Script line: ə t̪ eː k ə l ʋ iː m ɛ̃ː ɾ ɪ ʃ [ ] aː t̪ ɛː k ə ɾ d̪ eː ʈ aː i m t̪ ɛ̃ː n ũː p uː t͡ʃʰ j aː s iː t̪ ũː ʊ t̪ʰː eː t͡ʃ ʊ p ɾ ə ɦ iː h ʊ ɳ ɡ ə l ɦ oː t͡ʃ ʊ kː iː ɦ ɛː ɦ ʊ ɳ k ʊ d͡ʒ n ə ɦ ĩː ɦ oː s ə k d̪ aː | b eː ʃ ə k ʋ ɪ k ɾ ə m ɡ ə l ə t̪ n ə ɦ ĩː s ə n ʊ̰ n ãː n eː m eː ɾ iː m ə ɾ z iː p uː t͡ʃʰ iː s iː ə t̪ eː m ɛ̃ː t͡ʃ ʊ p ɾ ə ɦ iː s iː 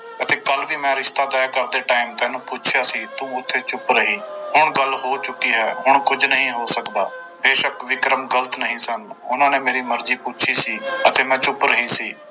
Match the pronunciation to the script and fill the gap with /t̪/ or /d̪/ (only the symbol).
t̪